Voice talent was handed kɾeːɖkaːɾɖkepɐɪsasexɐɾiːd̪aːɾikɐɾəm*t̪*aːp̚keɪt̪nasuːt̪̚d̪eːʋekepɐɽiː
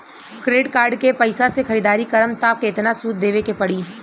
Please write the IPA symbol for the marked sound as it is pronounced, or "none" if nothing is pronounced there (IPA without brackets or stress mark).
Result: t̪